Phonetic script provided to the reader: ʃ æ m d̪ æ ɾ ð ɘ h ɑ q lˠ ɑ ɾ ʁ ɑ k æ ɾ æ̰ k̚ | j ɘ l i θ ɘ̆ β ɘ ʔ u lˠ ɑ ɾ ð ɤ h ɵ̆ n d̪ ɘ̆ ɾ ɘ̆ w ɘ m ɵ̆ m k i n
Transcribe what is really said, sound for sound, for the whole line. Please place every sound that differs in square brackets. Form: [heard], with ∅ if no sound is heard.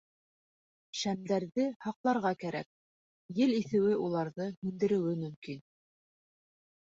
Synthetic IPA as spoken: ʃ æ m d̪ æ ɾ ð ɘ h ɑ q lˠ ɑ ɾ ʁ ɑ k æ ɾ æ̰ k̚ | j ɘ l i θ ɘ̆ [w] ɘ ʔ u lˠ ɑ ɾ ð ɤ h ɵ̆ n d̪ ɘ̆ ɾ ɘ̆ w ɘ m ɵ̆ m k i n